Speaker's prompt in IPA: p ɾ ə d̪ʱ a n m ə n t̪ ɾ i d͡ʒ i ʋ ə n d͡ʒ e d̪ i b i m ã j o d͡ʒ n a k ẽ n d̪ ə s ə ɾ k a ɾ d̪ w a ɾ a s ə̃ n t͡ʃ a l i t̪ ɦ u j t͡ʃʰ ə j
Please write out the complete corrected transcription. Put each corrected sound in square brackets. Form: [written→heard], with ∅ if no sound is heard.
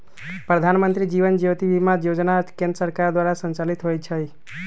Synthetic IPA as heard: p ɾ ə d̪ʱ a n m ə n t̪ ɾ i d͡ʒ i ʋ ə n d͡ʒ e [d̪→t̪] i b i m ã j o d͡ʒ n a k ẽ n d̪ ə s ə ɾ k a ɾ d̪ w a ɾ a s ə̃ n t͡ʃ a l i t̪ ɦ [u→o] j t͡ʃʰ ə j